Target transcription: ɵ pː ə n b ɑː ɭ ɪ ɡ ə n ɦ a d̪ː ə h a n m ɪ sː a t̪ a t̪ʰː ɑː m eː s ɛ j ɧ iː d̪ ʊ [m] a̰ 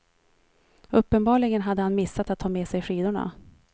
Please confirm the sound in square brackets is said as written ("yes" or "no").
no